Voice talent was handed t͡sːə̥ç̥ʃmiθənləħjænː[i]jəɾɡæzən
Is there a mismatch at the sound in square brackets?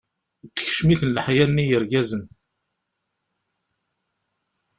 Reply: no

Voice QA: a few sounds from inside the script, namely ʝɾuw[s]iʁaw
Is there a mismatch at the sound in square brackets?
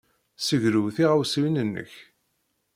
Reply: yes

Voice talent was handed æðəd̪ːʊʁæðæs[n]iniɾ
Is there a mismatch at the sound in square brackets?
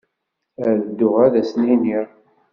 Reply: no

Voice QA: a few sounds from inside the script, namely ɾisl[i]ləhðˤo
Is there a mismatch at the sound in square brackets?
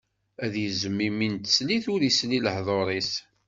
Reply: no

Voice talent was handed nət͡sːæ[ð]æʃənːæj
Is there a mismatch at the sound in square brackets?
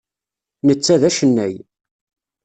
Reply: no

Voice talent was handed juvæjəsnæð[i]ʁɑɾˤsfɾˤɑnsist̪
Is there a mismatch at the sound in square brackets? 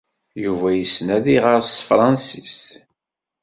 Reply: no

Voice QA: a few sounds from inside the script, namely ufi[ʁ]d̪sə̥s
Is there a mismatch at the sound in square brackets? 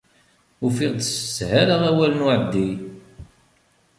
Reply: no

